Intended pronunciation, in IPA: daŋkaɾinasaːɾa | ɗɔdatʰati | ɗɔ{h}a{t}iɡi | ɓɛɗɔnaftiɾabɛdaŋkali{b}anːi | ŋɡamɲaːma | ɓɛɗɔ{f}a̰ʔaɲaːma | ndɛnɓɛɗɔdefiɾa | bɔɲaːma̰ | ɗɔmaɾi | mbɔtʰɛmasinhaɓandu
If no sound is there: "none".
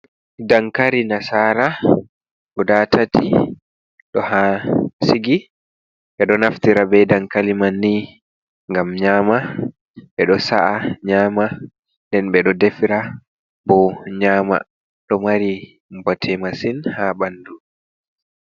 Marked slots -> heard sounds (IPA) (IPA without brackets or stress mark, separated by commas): h, s, m, s